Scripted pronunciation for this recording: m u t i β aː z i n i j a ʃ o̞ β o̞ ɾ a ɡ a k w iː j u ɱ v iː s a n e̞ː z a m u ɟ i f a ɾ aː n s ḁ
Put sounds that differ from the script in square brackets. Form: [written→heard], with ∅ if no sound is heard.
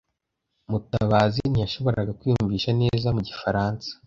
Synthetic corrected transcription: m u t [i→a] β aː z i n i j a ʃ o̞ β o̞ ɾ a ɡ a k w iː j u ɱ v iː [s→ʃ] a n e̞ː z a m u ɟ i f a ɾ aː n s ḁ